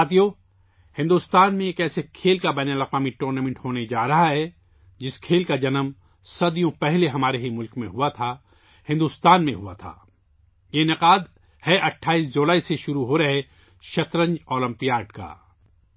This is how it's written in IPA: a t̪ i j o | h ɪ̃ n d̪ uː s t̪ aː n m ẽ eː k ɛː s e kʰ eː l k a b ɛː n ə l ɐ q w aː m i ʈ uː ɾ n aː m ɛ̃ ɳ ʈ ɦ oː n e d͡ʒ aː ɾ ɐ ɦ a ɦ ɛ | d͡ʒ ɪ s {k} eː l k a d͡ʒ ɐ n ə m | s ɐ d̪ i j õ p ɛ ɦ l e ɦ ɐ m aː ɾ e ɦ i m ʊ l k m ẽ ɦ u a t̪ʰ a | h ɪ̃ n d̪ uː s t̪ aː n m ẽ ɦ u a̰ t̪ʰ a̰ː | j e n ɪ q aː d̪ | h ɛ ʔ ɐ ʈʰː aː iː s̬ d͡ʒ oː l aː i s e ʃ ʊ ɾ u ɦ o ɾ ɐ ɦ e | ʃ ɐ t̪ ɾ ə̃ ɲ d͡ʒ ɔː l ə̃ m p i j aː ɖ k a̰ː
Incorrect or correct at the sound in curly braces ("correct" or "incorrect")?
incorrect